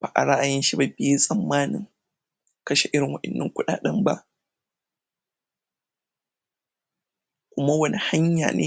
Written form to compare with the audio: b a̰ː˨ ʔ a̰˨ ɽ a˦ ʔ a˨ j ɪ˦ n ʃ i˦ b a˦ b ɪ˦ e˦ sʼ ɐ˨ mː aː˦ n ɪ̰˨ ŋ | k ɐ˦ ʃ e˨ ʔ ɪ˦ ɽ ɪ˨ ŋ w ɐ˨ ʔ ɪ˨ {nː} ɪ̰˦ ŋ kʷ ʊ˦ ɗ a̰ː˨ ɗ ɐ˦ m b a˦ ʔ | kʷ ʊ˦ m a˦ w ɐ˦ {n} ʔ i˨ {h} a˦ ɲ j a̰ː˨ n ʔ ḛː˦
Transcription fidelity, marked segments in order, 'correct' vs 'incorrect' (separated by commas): correct, correct, correct